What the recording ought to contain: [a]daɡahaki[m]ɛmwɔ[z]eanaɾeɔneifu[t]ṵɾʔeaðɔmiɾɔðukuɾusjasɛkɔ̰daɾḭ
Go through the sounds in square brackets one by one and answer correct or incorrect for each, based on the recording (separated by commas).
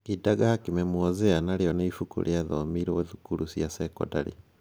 incorrect, correct, correct, incorrect